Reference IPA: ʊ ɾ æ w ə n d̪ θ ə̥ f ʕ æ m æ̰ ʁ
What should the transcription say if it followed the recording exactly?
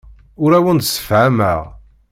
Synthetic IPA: ʊ ɾ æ w ə n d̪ s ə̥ f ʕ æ m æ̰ ʁ